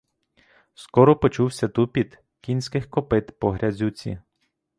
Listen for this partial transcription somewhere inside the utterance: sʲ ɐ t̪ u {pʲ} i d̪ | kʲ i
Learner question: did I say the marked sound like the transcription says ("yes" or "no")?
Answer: yes